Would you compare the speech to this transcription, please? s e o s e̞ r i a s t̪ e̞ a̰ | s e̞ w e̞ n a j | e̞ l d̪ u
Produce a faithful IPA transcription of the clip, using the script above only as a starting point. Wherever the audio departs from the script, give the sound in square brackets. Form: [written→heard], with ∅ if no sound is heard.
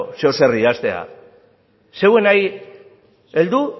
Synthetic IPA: s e o s e̞ r i a s t̪ e̞ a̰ | s e̞ w e̞ n a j | e̞ l d̪ u